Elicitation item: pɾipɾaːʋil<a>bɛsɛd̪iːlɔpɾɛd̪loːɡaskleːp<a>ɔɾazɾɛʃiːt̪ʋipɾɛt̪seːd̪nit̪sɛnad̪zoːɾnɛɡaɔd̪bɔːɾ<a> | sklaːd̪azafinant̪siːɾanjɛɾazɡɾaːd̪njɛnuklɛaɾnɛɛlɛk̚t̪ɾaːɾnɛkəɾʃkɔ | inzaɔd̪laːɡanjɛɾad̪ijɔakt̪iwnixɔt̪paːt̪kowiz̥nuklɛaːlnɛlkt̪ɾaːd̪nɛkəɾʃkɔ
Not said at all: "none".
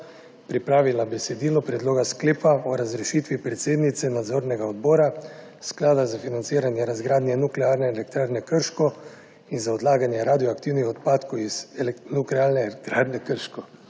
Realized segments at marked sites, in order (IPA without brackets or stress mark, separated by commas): a, a, a